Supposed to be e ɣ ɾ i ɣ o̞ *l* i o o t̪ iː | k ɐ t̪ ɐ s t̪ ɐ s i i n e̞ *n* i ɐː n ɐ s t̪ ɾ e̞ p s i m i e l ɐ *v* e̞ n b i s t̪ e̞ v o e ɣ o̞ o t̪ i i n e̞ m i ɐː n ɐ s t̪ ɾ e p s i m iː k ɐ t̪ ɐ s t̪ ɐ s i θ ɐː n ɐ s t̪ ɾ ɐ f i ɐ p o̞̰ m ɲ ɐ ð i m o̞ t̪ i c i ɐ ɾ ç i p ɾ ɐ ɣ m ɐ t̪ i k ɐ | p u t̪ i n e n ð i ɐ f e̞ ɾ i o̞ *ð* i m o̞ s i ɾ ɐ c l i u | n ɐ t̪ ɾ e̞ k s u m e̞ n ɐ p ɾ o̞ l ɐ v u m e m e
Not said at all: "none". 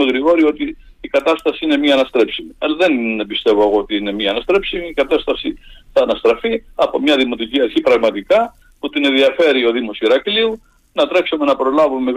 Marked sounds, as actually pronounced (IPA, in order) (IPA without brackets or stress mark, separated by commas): ɾ, m, ð, ð